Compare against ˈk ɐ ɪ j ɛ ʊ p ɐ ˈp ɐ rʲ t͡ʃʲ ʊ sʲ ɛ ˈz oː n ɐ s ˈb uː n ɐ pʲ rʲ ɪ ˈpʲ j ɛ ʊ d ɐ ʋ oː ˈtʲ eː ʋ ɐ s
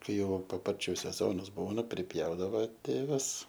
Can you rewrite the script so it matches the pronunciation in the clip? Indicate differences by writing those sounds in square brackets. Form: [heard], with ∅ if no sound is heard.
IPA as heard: ˈk ɐ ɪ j ɛ ʊ p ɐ ˈp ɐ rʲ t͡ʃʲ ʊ sʲ ɛ ˈz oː n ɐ s ˈb uː n ɐ pʲ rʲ ɪ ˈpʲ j ɛ ʊ d ɐ ʋ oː ˈtʲ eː ʋ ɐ s